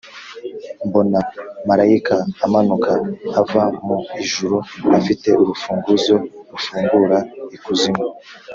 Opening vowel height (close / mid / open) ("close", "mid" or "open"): mid